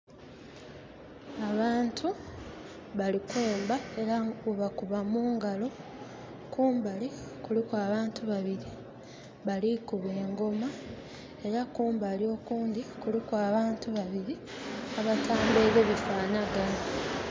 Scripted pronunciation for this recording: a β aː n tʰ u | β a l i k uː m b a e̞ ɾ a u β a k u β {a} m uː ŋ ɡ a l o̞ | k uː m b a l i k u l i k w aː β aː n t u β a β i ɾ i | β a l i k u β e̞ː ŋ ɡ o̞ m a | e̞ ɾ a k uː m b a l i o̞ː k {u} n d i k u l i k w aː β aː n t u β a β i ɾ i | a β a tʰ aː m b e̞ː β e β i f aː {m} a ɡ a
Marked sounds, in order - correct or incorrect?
correct, incorrect, incorrect

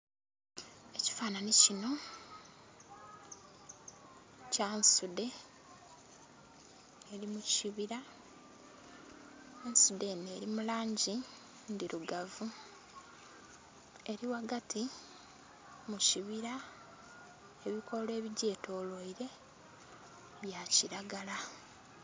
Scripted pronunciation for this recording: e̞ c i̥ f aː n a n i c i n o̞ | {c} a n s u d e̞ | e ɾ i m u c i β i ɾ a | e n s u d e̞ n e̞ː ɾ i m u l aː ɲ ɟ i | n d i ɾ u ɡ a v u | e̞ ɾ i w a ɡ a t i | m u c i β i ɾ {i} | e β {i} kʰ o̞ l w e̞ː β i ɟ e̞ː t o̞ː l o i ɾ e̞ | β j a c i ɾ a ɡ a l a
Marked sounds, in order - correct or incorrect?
correct, incorrect, correct

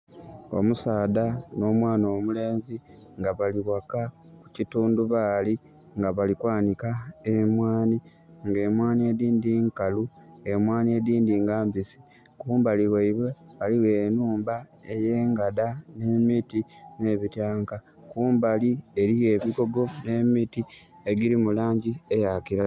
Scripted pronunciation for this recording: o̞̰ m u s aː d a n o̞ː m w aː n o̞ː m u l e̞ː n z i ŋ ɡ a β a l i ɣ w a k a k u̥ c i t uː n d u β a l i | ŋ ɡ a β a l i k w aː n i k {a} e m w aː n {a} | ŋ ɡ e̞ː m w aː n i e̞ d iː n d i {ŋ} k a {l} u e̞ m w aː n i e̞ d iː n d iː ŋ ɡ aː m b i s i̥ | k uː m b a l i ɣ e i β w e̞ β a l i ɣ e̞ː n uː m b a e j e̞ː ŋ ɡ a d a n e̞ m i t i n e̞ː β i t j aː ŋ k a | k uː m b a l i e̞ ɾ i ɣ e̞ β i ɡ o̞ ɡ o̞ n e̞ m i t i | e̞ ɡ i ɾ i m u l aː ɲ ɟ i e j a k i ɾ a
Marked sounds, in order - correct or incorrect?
correct, incorrect, correct, correct

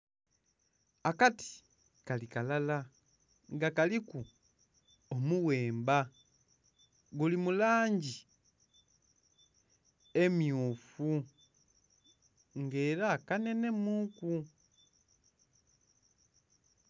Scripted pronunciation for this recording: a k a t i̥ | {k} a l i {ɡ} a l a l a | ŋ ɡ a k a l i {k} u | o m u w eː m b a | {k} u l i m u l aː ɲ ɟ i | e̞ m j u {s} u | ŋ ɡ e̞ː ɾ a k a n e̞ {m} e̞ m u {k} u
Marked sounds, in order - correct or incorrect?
correct, incorrect, correct, incorrect, incorrect, incorrect, correct

